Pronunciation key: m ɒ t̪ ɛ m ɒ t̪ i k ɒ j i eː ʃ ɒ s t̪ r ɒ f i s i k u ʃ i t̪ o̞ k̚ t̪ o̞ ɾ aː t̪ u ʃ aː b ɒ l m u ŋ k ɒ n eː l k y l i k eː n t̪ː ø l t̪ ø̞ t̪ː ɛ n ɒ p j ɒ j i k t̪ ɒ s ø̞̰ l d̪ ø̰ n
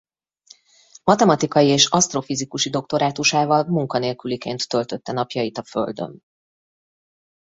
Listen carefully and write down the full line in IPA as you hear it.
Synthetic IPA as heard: m ɒ t̪ ɛ m ɒ t̪ i k ɒ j i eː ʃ ɒ s t̪ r o f i z i k u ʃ i d̪ o̞ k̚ t̪ o̞ ɾ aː t̪ u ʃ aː v ɒ l m u ŋ k ɒ n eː l k y l i k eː n t̪ː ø l t̪ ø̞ t̪ː ɛ n ɒ p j ɒ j i t̪ ɒ f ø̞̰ l d̪ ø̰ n